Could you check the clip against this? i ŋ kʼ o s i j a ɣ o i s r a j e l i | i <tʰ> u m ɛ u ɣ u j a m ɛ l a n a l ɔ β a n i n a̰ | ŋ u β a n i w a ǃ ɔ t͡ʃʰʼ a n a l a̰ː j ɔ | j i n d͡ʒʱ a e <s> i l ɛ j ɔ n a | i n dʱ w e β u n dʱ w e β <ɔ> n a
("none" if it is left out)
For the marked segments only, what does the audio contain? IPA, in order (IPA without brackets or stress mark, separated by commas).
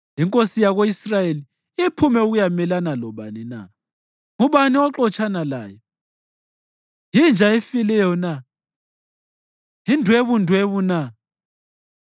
pʰ, f, u